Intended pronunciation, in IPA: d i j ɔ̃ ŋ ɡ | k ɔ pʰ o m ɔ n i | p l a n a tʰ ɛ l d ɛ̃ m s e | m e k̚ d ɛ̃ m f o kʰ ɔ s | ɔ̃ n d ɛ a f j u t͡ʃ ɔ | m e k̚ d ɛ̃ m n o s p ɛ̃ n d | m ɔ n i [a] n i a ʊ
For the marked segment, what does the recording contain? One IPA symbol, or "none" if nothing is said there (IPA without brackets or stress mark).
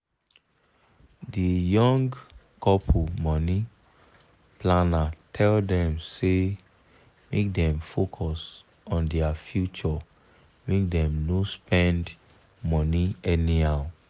ɛ